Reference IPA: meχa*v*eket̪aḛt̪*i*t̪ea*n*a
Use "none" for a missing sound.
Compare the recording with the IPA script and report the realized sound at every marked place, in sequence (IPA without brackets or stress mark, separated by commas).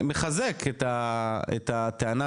z, a, n